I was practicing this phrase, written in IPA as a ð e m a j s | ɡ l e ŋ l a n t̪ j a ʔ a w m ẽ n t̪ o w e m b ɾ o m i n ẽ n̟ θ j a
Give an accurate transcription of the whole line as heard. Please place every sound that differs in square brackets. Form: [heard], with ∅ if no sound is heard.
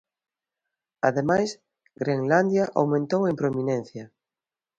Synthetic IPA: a ð e m a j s | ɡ [ɾ] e ŋ l a n [d̪] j a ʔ a w m ẽ n t̪ o w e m [p] ɾ o m i n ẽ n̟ θ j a